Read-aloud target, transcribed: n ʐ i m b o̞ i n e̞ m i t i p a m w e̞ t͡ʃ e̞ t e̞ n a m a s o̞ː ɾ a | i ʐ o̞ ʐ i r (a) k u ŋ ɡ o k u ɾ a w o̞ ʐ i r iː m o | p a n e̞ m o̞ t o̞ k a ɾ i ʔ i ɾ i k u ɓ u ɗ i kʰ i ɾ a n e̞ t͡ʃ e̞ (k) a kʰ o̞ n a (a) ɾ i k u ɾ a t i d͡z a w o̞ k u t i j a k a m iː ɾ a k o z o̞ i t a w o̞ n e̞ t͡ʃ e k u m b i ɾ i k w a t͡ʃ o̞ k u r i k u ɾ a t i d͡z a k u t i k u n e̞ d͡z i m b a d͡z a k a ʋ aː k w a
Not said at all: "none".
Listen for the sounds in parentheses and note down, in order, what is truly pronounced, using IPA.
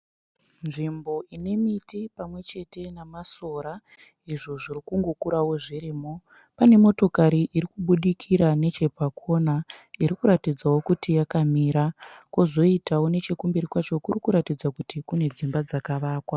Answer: i, p, i

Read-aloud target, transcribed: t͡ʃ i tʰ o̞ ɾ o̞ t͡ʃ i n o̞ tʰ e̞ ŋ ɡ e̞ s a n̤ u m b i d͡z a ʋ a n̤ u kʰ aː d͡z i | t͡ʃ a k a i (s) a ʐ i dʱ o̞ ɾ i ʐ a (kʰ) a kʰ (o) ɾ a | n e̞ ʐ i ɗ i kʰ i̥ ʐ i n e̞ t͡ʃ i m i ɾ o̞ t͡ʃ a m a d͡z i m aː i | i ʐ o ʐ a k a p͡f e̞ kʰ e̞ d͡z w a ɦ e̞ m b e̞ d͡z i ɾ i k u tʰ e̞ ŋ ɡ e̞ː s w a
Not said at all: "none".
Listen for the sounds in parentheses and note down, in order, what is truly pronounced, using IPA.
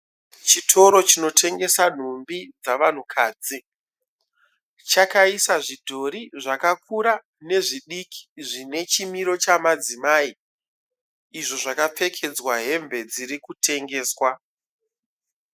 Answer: s, k, u

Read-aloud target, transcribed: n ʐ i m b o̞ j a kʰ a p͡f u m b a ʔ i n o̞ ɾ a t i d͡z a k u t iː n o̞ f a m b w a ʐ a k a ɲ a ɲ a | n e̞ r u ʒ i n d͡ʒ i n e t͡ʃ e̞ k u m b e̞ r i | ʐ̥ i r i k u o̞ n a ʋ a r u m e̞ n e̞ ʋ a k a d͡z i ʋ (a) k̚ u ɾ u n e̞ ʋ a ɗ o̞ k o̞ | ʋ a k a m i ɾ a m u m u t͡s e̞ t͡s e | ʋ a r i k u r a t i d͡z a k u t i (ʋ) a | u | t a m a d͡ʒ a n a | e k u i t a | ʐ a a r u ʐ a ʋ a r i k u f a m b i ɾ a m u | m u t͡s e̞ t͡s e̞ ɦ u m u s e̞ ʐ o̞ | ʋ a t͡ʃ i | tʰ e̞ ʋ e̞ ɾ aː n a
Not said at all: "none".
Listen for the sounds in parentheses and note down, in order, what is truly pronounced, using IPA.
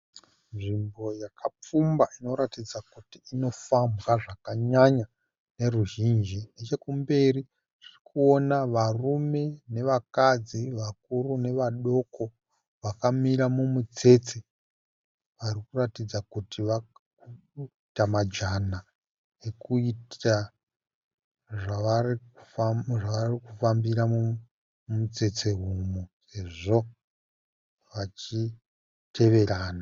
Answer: a, ʋ

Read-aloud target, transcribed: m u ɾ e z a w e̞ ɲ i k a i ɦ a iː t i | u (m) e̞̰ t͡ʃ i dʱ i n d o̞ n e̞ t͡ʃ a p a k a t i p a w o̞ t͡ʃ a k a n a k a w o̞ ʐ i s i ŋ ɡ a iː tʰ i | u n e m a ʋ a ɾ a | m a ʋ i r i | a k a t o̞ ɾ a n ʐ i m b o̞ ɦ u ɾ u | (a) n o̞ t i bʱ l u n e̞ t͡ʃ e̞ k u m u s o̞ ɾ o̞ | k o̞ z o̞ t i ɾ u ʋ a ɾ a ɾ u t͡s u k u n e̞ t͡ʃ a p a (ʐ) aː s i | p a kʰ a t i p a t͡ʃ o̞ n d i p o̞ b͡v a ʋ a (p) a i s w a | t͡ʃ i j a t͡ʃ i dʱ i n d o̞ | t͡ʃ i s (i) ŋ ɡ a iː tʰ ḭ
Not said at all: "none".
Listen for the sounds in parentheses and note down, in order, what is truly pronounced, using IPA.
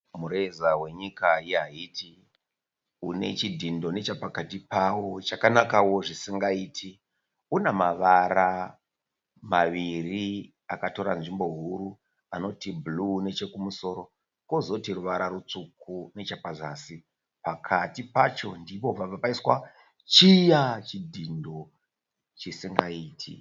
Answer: n, a, z, p, i

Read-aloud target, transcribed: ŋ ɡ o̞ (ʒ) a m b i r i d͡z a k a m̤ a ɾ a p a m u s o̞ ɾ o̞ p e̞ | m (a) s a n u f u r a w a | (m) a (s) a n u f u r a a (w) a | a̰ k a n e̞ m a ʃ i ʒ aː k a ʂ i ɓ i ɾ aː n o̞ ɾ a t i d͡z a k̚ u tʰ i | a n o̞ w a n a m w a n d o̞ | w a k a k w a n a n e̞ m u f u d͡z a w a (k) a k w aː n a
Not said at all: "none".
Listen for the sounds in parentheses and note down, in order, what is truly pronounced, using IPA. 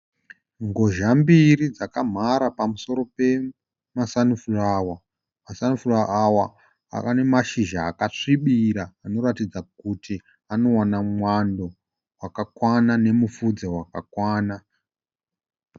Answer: ʒ, a, m, s, w, k

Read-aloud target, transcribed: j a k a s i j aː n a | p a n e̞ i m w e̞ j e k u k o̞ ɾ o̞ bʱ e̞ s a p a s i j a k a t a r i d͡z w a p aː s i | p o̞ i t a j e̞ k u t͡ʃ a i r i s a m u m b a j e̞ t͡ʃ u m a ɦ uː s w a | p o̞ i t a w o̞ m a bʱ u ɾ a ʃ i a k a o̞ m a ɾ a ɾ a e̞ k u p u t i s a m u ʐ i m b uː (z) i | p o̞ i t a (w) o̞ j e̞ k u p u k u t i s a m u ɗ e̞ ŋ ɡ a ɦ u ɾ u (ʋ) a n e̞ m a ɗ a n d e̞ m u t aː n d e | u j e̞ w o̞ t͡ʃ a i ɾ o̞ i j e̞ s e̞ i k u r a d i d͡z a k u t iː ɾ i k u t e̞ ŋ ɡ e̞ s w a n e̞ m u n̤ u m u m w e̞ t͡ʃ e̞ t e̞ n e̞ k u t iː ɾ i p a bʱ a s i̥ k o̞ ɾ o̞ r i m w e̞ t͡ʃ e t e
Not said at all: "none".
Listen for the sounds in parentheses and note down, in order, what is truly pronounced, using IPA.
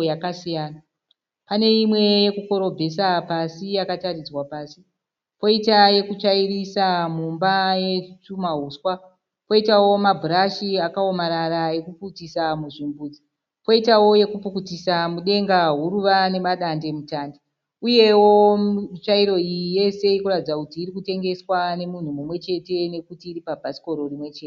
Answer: d͡z, w, ʋ

